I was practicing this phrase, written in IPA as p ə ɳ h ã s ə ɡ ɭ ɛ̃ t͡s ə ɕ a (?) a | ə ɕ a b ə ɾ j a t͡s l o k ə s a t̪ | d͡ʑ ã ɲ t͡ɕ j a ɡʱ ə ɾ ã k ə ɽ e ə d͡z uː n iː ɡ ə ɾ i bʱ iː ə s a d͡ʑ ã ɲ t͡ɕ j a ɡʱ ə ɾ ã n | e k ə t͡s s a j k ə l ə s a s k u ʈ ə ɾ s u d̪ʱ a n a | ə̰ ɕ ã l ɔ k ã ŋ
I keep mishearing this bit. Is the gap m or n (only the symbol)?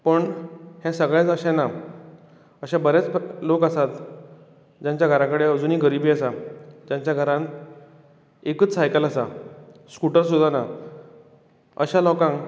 n